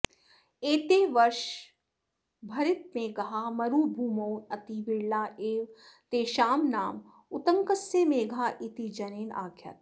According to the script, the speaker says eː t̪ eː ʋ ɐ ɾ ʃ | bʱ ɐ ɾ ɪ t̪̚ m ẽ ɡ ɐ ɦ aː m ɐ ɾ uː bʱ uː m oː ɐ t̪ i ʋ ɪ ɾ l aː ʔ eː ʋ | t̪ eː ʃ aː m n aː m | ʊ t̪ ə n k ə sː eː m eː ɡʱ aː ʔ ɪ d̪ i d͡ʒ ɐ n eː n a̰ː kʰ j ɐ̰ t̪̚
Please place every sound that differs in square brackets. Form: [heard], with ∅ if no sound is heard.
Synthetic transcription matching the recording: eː t̪ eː ʋ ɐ ɾ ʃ | bʱ ɐ ɾ ɪ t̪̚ m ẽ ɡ ɐ ɦ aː m ɐ ɾ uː bʱ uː m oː ɐ t̪ i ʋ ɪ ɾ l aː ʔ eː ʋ | t̪ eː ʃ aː m n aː m | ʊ t̪ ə [ŋ] k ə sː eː m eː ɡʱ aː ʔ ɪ [t̪] i d͡ʒ ɐ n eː n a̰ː kʰ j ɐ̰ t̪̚